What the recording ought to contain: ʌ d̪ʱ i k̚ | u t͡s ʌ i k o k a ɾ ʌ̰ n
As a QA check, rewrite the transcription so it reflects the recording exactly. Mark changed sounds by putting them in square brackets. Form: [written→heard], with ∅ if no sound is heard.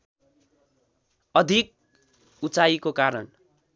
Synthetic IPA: ʌ d̪ʱ i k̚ | u t͡s [ʌ→a] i k o k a ɾ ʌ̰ n